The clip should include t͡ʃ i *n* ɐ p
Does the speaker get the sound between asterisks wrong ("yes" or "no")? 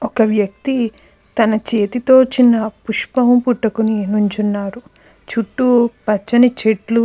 yes